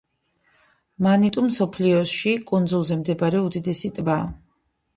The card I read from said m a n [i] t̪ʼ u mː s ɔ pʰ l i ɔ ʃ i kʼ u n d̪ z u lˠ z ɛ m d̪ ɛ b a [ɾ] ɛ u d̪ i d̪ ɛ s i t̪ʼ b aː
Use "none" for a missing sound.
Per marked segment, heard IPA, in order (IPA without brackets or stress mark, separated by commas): i, ɾ